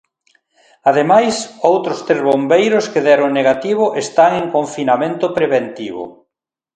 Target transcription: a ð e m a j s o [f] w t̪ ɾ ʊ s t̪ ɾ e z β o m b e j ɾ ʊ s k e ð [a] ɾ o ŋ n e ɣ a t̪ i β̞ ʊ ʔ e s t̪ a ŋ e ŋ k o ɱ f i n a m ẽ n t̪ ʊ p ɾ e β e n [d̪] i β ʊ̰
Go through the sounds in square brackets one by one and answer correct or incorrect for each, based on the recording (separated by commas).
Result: incorrect, incorrect, incorrect